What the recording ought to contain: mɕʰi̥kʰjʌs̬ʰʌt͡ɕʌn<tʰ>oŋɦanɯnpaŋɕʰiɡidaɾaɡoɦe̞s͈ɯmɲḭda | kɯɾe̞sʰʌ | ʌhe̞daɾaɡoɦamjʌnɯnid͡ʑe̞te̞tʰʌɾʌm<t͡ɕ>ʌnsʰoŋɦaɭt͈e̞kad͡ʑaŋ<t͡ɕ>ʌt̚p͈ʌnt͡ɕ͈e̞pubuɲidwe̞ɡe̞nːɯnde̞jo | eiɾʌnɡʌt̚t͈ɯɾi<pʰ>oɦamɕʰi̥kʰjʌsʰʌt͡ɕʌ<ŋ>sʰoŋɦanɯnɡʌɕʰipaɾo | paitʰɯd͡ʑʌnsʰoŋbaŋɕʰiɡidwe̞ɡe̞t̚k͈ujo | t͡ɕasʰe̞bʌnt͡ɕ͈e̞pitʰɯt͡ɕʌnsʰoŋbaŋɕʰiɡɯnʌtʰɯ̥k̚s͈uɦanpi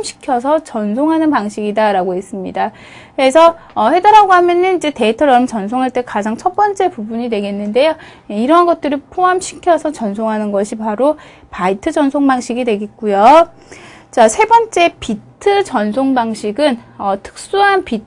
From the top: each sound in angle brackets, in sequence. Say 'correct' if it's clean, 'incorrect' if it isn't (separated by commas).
incorrect, correct, incorrect, correct, incorrect